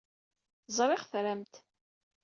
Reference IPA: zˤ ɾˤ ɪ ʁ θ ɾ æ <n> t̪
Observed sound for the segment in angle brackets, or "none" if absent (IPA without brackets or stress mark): m